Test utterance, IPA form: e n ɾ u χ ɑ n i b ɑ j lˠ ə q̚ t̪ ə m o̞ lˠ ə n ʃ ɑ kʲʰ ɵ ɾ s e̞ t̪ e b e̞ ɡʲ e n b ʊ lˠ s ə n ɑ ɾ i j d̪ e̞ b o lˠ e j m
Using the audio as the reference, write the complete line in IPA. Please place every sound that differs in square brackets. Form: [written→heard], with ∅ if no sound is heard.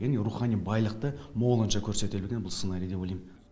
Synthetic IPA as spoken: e n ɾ u χ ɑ n i b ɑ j lˠ ə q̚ t̪ ə m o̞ lˠ ə n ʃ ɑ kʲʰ ɵ ɾ s e̞ t̪ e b e̞ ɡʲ e n b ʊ lˠ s ə n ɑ ɾ i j d̪ e̞ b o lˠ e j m

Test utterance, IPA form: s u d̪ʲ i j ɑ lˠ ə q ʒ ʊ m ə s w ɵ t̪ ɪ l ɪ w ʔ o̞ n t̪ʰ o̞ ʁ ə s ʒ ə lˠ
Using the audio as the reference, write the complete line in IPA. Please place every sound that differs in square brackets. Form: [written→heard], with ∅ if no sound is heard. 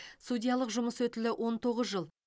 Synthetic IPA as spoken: s u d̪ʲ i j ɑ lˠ ə q ʒ ʊ m ə s w ɵ t̪ ɪ l ɪ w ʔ o̞ n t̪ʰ o̞ ʁ ə [s→z] ʒ ə lˠ

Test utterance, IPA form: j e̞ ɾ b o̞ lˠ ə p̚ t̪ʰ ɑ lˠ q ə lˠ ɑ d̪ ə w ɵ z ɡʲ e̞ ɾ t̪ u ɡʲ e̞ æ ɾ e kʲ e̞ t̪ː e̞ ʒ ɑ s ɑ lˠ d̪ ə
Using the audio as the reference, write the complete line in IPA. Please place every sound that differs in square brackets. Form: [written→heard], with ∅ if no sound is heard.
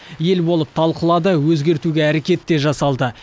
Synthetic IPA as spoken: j e̞ [ɾ→l] b o̞ lˠ ə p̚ t̪ʰ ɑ lˠ q ə lˠ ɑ d̪ ə w ɵ z ɡʲ e̞ ɾ t̪ u ɡʲ e̞ æ ɾ e kʲ e̞ t̪ː e̞ ʒ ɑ s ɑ lˠ d̪ ə

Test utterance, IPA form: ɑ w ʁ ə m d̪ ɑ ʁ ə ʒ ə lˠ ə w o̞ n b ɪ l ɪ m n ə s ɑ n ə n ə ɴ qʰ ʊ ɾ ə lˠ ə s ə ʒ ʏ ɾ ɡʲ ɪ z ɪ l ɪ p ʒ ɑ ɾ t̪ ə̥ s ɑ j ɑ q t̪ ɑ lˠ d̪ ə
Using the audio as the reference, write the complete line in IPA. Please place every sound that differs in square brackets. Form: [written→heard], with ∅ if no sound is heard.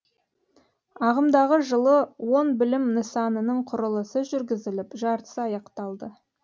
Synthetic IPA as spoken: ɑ [w→∅] ʁ ə m d̪ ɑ ʁ ə ʒ ə lˠ ə w o̞ n b ɪ l ɪ m n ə s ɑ n ə n ə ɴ qʰ ʊ ɾ ə lˠ ə s ə ʒ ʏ ɾ ɡʲ ɪ z ɪ l ɪ p ʒ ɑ ɾ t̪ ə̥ s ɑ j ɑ q t̪ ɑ lˠ d̪ ə

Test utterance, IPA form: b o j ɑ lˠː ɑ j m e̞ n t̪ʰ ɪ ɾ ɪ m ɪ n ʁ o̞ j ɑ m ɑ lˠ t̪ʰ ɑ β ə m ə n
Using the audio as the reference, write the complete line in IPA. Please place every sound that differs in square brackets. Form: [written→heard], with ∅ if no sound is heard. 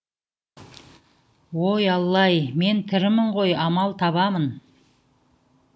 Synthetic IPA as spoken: [b→w] o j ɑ lˠː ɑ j m e̞ n t̪ʰ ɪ ɾ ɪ m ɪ [n→ɴ] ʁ o̞ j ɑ m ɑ lˠ t̪ʰ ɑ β [ə→ɑ] m ə n

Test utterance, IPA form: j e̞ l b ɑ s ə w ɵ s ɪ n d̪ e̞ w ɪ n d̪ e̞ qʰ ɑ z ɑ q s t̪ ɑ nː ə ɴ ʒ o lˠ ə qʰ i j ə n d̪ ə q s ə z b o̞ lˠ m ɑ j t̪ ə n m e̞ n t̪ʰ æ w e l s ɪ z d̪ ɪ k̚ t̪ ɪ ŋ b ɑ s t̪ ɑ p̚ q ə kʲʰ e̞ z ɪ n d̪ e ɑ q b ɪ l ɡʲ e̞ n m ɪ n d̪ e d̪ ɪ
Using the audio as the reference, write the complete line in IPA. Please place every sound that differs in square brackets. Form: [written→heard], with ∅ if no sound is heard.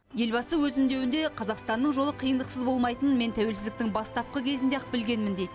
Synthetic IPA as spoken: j e̞ l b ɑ s ə w ɵ [s→z] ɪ n d̪ e̞ w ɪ n d̪ e̞ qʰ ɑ z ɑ q s t̪ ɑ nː ə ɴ ʒ o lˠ ə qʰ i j ə n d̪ ə q s ə z b o̞ lˠ m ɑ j t̪ ə n m e̞ n t̪ʰ æ w e l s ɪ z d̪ ɪ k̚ t̪ ɪ ŋ b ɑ s t̪ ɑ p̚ q ə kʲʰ e̞ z ɪ n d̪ e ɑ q b ɪ l ɡʲ e̞ n m ɪ n d̪ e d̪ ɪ

